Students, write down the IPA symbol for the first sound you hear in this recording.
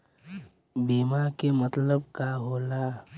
b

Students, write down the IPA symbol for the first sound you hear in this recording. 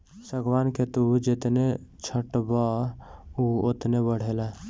s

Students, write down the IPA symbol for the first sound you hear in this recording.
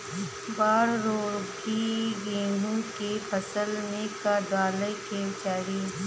b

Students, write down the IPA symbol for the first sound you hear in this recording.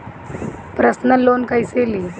p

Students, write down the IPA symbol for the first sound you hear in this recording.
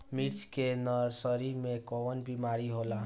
m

